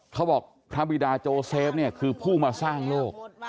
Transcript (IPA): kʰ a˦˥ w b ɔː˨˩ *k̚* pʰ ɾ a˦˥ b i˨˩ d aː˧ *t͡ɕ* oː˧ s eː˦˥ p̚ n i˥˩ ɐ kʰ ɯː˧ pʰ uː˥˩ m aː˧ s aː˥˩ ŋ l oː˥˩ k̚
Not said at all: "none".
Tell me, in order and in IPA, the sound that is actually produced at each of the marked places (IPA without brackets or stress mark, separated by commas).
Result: k̚, t͡ɕ